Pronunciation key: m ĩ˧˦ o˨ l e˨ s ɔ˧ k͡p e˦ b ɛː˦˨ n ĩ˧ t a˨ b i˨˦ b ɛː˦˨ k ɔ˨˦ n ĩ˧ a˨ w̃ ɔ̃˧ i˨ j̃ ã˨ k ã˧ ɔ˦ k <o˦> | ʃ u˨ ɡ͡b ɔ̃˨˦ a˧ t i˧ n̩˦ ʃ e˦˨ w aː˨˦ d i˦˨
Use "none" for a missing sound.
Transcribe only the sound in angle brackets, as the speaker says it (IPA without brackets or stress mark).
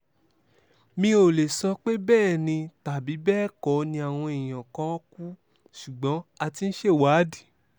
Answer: u˦